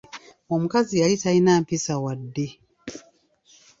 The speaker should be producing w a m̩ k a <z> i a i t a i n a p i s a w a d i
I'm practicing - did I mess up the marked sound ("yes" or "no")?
no